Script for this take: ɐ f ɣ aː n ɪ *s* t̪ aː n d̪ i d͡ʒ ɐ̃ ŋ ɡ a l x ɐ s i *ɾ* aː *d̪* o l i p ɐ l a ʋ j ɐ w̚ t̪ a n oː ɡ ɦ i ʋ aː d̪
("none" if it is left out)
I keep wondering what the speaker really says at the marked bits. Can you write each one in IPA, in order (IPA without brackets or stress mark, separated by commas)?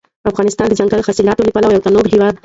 s, l, t̪